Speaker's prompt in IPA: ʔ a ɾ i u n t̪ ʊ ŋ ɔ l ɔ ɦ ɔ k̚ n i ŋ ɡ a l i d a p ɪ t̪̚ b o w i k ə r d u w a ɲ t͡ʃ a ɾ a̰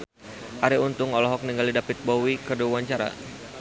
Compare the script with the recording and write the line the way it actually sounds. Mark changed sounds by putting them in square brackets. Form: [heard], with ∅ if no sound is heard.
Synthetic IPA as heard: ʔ a ɾ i u n t̪ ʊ ŋ ɔ l ɔ ɦ ɔ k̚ n i ŋ ɡ a l i d a p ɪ t̪̚ b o w i k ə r d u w a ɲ t͡ʃ a ɾ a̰